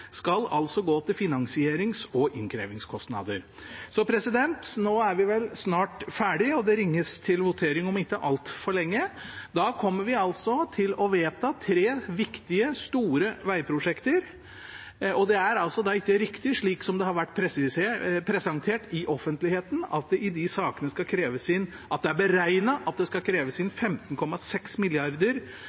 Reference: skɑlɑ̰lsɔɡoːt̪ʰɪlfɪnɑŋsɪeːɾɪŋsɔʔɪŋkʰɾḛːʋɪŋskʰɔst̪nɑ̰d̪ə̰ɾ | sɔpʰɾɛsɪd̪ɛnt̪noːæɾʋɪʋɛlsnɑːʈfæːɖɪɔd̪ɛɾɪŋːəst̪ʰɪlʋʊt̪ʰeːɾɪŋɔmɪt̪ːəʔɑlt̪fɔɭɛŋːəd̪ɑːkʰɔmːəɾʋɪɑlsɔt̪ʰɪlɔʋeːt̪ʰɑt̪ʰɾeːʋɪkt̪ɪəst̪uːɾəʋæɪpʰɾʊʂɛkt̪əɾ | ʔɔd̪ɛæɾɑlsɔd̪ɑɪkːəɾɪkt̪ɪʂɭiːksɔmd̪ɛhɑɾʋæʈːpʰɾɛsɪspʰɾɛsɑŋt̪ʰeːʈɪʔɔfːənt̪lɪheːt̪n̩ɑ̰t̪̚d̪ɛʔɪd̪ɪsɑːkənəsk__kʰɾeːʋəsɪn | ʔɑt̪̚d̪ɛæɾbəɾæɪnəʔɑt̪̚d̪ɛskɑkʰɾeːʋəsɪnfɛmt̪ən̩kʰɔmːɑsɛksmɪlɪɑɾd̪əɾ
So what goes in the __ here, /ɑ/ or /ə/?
ɑ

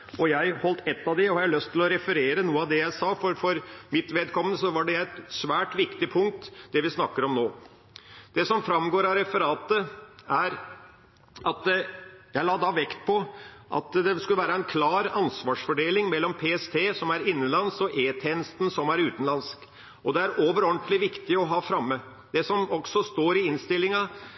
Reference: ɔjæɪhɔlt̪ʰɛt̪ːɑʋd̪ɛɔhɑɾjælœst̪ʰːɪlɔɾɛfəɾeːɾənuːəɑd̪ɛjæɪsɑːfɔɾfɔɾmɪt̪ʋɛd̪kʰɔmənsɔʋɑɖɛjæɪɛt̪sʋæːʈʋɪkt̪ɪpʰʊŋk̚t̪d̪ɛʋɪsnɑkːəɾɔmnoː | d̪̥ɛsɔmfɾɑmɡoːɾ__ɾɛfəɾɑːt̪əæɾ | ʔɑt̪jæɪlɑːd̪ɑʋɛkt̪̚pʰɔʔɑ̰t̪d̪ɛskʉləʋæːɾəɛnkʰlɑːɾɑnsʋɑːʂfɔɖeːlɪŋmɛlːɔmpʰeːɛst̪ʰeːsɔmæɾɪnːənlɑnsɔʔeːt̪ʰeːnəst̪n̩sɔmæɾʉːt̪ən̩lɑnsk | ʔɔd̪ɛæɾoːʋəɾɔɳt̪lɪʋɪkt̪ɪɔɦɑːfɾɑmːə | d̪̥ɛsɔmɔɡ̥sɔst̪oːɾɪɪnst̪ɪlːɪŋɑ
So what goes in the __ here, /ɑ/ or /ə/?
ɑ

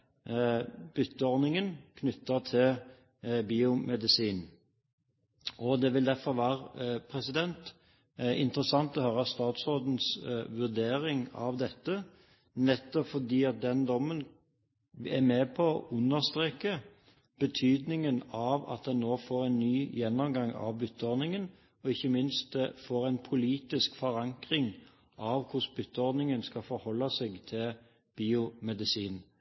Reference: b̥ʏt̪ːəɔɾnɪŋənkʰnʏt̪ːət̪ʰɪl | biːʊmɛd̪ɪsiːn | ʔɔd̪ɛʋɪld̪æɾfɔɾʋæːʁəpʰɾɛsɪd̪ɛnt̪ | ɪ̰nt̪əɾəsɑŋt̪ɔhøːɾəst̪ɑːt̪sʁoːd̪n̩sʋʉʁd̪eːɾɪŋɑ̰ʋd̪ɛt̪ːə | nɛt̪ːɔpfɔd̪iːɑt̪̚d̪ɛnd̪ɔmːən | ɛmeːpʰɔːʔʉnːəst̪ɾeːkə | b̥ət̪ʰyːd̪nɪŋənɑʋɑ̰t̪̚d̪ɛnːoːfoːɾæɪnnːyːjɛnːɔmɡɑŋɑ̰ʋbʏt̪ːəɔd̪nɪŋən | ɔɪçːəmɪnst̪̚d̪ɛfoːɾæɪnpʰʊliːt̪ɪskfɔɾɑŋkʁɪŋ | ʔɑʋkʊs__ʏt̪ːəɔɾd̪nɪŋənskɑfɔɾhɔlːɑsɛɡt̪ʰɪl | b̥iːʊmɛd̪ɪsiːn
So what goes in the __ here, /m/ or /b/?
b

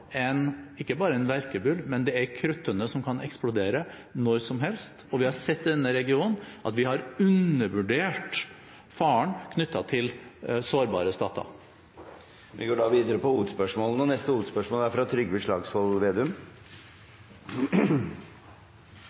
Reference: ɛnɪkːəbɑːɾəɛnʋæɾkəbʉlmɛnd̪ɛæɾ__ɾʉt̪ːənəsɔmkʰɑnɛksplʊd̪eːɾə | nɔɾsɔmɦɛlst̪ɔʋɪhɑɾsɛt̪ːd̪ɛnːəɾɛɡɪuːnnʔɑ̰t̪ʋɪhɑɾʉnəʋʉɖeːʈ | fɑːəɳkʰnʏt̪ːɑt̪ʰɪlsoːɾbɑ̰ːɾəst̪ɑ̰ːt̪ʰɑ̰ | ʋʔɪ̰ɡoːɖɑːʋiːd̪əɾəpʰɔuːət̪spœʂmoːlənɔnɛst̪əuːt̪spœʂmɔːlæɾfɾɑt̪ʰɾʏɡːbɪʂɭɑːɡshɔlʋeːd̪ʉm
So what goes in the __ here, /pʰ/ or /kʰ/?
kʰ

